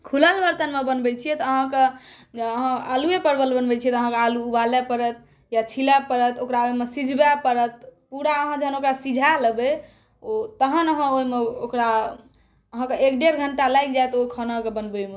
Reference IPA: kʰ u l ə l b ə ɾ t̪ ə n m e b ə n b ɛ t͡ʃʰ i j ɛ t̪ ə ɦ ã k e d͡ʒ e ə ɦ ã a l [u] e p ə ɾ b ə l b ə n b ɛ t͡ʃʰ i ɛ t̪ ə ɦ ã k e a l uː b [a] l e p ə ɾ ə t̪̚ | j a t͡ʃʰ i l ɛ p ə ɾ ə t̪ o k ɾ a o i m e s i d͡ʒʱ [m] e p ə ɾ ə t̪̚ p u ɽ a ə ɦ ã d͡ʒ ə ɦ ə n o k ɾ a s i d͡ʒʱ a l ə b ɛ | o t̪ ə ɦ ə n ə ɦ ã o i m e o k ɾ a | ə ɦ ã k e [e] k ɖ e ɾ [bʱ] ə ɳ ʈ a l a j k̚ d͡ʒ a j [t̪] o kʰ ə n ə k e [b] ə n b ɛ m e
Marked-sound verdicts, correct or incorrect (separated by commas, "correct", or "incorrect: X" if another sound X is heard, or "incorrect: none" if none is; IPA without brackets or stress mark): correct, correct, incorrect: b, correct, incorrect: ɡʱ, correct, correct